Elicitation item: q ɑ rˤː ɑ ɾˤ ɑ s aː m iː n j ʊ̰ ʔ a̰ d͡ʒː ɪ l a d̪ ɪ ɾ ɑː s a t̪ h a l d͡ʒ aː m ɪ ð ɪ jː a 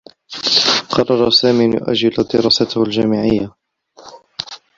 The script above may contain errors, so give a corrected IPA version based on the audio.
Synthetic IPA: q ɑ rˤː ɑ ɾˤ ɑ s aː m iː n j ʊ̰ ʔ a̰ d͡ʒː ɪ l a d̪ ɪ ɾ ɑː s a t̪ h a l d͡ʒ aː m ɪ ʕ ɪ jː a